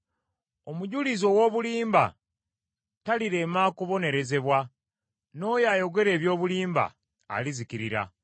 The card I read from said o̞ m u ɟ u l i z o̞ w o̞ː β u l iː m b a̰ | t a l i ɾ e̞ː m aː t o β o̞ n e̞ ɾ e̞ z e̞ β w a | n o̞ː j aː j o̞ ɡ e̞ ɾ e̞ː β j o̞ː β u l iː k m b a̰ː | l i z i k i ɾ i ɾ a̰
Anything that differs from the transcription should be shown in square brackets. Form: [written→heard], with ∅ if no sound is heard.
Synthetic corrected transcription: o̞ m u ɟ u l i z o̞ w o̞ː β u l iː m b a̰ | t a l i ɾ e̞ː m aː [t→k] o β o̞ n e̞ ɾ e̞ z e̞ β w a | n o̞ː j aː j o̞ ɡ e̞ ɾ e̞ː β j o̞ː β u l iː [k→∅] m b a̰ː | l i z i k i ɾ i ɾ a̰